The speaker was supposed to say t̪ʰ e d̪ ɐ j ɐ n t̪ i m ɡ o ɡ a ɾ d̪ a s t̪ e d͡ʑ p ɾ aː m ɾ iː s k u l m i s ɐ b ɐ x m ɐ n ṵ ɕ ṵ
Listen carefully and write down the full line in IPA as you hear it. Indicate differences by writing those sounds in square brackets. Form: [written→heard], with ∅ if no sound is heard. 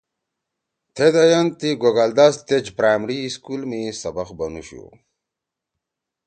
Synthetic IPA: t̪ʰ e d̪ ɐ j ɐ n t̪ i [m→∅] ɡ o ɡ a [ɾ→l] d̪ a s t̪ e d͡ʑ p ɾ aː m ɾ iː s k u l m i s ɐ b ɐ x [m→b] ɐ n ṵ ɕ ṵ